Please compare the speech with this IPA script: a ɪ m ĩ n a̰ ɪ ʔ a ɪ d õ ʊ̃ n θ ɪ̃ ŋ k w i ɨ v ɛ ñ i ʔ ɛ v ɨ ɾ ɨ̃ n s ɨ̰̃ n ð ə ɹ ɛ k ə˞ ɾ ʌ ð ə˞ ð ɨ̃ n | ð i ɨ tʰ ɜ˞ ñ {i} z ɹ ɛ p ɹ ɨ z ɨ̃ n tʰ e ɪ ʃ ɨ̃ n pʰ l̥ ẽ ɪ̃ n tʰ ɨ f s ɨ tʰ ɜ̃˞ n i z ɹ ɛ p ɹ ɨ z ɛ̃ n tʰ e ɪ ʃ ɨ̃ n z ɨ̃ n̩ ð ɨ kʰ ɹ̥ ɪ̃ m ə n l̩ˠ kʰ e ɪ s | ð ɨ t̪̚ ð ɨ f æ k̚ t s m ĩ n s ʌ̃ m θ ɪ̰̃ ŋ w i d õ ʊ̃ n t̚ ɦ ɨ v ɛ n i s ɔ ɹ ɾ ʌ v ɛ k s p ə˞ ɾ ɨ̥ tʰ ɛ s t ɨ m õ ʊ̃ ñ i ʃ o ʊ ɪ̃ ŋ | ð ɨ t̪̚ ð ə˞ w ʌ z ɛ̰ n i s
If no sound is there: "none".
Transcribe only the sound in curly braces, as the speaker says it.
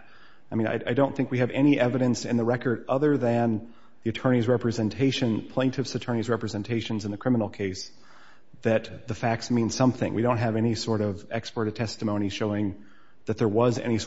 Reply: i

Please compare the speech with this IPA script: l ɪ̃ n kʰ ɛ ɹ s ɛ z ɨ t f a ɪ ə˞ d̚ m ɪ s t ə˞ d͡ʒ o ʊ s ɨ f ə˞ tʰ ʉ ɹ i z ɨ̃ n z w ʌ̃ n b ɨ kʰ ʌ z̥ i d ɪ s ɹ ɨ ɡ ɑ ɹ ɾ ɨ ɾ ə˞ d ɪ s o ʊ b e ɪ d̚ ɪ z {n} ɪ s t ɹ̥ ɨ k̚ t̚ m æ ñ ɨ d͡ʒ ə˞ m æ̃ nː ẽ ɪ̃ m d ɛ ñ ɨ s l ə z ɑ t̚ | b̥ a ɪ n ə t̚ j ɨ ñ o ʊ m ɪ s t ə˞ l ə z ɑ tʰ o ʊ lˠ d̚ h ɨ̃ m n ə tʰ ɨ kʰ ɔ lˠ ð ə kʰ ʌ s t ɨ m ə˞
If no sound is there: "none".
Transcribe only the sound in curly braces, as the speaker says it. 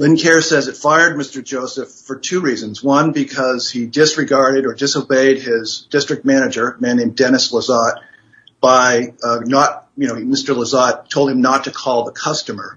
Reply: d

